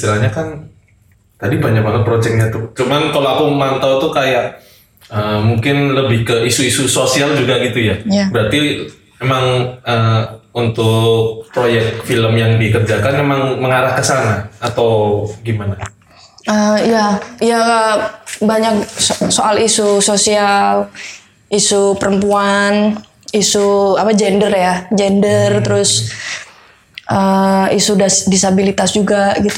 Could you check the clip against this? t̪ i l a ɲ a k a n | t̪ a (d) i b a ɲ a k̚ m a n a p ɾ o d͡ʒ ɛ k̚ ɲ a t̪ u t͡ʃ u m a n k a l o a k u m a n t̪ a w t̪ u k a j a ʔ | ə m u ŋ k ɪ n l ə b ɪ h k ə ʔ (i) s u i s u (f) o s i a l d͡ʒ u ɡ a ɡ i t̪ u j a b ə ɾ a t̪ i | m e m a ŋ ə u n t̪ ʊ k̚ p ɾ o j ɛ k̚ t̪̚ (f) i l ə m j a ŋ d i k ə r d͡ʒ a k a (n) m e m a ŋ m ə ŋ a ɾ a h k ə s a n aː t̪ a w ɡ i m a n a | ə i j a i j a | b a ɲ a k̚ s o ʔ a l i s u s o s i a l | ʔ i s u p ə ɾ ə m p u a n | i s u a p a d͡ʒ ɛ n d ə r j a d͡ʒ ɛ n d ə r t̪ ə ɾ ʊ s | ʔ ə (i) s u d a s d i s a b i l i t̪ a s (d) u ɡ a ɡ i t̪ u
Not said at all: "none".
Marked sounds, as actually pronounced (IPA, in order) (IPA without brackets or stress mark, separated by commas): d, i, s, f, n, i, d͡ʒ